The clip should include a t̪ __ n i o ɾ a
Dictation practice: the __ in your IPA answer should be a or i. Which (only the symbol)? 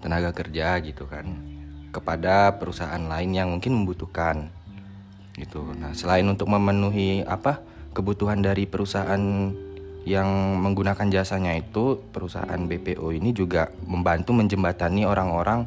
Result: a